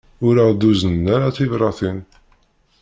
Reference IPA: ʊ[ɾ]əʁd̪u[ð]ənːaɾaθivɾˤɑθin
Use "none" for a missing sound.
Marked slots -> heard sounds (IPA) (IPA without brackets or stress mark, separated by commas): ɾ, z